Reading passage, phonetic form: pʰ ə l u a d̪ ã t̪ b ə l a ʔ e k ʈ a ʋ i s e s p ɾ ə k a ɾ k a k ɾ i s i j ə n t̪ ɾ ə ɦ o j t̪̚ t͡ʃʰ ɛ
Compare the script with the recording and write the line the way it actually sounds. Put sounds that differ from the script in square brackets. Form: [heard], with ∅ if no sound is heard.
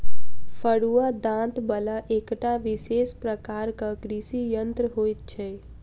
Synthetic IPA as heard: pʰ ə [ɽ] u a d̪ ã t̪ b ə l a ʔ e k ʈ a ʋ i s e s p ɾ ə k a ɾ k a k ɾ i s i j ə n t̪ ɾ ə ɦ o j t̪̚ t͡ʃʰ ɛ